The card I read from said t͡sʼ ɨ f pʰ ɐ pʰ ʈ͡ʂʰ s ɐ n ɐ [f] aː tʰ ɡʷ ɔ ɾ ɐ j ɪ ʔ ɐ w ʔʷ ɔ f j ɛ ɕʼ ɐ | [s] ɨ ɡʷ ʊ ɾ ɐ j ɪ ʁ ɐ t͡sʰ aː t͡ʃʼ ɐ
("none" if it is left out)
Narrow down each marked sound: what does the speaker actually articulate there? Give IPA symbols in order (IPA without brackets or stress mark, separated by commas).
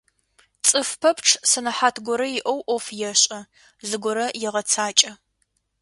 ħ, z